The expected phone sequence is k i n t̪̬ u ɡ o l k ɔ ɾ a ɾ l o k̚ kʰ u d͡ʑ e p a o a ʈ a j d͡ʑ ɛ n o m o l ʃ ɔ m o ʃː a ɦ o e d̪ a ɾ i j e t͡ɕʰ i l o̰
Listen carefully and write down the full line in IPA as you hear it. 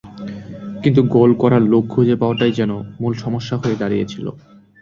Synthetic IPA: k i n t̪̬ u ɡ o l k ɔ ɾ a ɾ l o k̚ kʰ u d͡ʑ e p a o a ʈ a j d͡ʑ ɛ n o m u l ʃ ɔ m o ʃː a ɦ o e d̪ a ɾ i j e t͡ɕʰ i l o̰